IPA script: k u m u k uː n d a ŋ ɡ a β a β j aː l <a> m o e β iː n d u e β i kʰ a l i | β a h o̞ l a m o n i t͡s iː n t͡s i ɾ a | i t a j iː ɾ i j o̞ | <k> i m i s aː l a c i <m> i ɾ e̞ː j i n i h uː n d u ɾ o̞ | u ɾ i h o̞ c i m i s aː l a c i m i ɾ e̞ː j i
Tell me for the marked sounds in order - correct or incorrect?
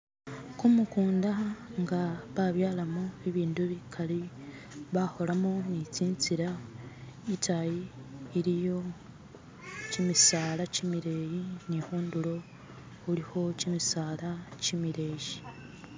correct, incorrect: c, correct

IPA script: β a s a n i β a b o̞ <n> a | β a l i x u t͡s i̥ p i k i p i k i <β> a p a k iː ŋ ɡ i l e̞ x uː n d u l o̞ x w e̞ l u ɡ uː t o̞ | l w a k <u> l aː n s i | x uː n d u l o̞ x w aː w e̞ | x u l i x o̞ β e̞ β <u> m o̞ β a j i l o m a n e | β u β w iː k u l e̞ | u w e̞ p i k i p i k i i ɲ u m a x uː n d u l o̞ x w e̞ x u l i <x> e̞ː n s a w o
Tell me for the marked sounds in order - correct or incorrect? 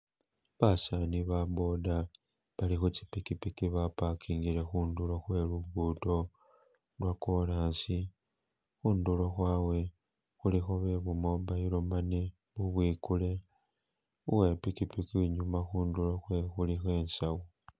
incorrect: d, correct, incorrect: o, correct, correct

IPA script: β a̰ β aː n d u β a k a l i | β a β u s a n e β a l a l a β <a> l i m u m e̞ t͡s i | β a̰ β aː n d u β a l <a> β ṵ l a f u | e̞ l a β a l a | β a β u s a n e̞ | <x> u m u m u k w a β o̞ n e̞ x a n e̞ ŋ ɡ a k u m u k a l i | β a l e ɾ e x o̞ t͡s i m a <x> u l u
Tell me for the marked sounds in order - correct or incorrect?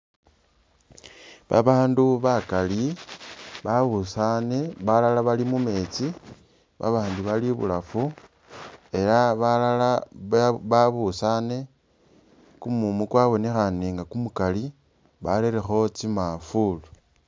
correct, incorrect: i, incorrect: k, incorrect: f

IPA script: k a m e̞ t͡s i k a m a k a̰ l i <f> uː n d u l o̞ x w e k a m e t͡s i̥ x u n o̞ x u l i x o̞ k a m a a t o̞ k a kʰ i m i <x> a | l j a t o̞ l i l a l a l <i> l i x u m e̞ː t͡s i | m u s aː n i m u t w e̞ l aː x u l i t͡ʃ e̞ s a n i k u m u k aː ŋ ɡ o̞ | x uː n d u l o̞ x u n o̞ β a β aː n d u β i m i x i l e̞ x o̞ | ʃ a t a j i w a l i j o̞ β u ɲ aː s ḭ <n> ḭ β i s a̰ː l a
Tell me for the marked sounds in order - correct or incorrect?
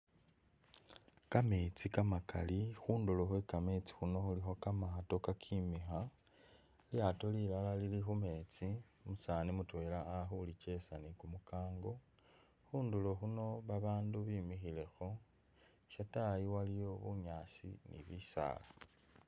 incorrect: x, correct, correct, correct

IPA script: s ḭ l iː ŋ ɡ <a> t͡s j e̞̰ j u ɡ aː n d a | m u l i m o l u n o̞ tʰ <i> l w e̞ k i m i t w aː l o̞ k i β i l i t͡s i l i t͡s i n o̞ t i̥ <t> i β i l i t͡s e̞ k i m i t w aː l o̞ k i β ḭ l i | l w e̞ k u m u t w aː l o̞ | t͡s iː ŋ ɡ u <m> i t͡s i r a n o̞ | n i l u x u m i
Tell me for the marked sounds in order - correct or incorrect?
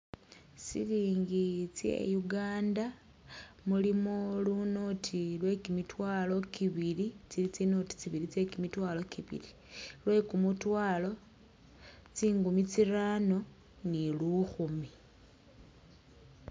incorrect: i, correct, incorrect: t͡s, correct

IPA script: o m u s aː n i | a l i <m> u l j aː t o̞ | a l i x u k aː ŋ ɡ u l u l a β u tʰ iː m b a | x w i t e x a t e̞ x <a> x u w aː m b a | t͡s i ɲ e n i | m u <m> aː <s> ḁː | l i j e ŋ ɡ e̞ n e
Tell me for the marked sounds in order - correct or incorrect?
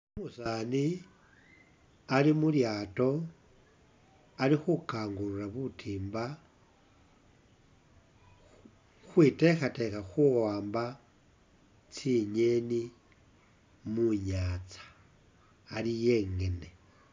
correct, correct, incorrect: ɲ, incorrect: t͡s

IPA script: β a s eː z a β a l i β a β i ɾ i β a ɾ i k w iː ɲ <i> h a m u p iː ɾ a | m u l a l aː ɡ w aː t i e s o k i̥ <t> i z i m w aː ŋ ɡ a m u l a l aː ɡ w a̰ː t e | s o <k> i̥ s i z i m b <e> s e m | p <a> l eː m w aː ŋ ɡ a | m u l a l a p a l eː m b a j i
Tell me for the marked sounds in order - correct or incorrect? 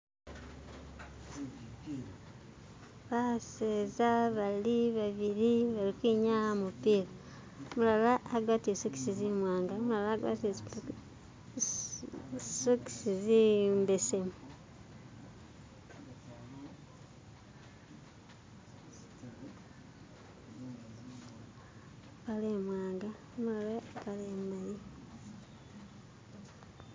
incorrect: a, incorrect: s, correct, correct, correct

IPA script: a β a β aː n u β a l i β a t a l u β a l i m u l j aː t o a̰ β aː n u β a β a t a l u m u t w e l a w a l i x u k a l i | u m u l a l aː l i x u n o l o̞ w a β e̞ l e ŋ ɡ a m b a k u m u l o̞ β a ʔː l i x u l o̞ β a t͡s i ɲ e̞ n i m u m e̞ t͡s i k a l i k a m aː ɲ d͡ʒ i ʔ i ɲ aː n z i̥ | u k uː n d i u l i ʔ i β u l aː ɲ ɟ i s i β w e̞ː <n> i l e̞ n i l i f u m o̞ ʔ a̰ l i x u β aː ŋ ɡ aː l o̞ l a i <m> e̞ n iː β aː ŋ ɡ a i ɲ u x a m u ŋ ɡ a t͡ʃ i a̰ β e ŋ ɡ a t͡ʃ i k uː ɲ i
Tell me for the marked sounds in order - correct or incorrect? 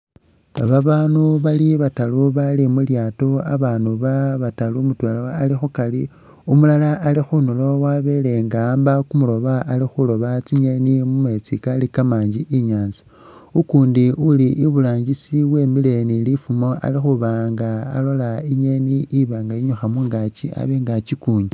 incorrect: m, incorrect: ɲ

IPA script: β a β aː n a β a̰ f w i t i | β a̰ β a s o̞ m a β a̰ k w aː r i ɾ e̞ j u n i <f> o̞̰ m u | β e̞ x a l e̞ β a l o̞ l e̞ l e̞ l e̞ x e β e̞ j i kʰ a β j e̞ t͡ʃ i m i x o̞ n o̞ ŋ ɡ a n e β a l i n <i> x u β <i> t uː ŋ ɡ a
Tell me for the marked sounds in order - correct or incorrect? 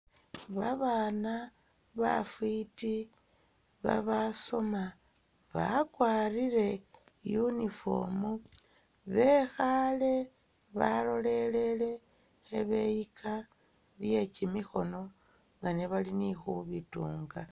correct, correct, correct

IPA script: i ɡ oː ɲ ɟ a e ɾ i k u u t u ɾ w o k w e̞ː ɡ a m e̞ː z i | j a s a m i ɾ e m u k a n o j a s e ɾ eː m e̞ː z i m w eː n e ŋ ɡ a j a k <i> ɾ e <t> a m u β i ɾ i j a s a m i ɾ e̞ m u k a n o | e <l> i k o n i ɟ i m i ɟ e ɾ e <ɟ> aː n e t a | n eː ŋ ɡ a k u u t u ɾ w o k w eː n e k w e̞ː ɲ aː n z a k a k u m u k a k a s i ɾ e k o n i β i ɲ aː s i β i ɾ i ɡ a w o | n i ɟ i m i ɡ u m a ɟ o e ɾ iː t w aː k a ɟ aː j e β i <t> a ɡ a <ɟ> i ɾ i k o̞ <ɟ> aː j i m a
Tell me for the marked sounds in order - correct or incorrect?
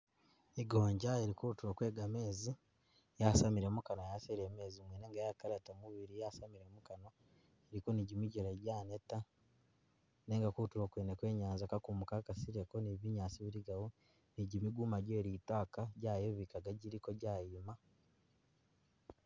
incorrect: a, correct, incorrect: ɾ, correct, incorrect: k, correct, correct

